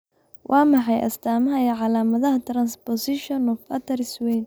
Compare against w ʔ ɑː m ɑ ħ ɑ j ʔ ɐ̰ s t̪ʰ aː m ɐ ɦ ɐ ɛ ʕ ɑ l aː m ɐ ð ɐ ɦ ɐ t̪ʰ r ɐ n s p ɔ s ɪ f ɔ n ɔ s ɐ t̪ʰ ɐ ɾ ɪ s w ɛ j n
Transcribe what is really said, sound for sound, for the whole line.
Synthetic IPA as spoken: w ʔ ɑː m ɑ ħ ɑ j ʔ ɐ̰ s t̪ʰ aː m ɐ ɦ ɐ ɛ ʕ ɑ l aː m ɐ ð ɐ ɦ ɐ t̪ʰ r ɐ n s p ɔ s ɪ ʃ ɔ n ɔ f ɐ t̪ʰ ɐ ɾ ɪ s w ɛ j n